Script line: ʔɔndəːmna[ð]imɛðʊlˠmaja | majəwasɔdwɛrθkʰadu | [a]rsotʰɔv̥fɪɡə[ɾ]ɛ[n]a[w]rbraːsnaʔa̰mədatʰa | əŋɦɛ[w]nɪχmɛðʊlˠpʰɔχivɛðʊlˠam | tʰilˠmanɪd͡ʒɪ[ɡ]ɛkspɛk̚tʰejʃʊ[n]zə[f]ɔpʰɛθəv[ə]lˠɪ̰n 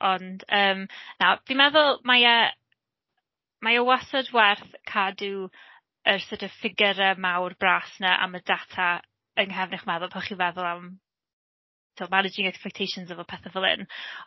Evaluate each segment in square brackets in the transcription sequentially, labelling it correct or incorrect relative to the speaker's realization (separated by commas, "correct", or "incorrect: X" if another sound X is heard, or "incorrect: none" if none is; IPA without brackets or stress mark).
incorrect: v, incorrect: ə, correct, incorrect: m, correct, incorrect: v, incorrect: ŋ, correct, incorrect: v, correct